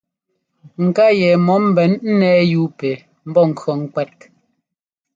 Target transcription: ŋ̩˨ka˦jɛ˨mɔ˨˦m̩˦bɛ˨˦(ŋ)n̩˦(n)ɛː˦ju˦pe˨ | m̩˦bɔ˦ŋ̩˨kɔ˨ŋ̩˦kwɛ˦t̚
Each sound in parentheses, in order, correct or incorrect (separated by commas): incorrect, correct